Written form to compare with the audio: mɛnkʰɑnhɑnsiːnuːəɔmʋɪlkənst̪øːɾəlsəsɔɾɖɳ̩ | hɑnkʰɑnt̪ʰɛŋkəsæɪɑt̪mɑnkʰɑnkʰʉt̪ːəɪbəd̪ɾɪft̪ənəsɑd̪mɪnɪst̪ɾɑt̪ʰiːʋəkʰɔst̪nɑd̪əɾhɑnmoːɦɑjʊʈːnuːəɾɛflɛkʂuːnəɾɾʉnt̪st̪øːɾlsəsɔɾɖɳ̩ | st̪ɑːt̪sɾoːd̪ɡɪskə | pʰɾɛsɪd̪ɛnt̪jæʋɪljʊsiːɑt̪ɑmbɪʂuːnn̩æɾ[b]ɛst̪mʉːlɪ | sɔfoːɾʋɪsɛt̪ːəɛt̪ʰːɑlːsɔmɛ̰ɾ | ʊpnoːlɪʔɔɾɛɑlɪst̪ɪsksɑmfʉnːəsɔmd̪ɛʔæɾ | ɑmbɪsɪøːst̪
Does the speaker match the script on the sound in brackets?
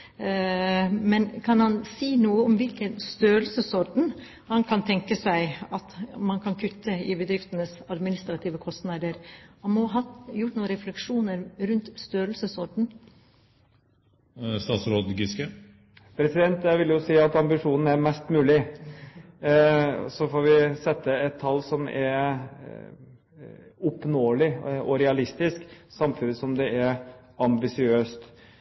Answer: no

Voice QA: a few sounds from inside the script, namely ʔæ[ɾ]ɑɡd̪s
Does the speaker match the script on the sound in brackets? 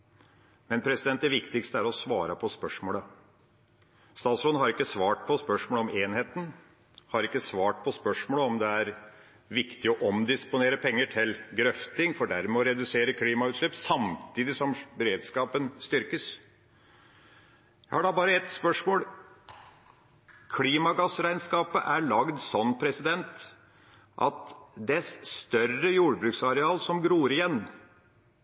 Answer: no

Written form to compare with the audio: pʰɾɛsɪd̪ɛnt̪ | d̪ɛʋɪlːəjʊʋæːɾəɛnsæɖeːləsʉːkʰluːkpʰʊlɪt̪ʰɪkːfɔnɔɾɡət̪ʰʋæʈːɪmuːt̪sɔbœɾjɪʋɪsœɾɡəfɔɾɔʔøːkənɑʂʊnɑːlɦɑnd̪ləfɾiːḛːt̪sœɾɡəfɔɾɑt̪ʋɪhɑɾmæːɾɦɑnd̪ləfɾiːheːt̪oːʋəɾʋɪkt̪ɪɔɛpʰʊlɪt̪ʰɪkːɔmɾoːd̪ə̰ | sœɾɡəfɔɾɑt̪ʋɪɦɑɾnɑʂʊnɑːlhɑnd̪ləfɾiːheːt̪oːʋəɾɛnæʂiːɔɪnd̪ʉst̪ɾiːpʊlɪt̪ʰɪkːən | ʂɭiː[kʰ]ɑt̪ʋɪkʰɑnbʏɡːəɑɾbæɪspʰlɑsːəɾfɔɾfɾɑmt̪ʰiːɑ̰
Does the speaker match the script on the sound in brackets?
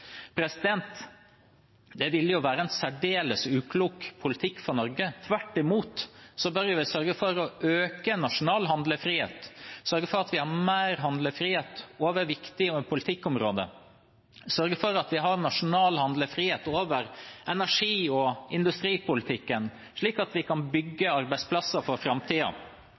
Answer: no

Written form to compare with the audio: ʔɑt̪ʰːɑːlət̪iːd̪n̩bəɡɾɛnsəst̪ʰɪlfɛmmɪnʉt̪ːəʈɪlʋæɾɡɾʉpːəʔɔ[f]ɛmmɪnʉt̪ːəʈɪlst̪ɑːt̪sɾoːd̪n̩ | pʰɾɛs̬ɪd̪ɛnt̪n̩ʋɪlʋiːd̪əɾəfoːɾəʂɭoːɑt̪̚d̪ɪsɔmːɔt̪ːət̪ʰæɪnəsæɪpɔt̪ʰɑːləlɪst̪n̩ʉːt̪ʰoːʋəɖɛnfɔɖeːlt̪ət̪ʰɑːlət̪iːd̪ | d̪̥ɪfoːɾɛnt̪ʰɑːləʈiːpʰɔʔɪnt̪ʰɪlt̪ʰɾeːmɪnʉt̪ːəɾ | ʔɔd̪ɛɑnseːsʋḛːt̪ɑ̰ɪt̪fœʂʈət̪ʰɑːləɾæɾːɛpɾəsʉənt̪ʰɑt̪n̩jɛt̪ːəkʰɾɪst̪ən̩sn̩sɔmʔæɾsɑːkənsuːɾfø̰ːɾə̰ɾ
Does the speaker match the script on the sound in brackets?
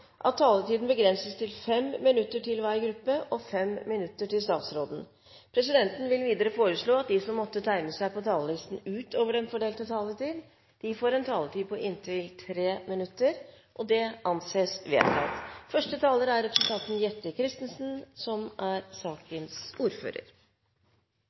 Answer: yes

